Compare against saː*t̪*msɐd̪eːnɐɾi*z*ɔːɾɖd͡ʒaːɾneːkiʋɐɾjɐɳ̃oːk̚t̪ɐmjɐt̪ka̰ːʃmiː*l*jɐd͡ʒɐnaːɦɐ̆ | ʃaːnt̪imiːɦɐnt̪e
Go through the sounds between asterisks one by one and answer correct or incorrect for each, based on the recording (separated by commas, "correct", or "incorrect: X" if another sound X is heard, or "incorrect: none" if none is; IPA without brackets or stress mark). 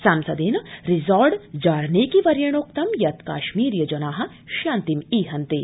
incorrect: none, correct, incorrect: ɾ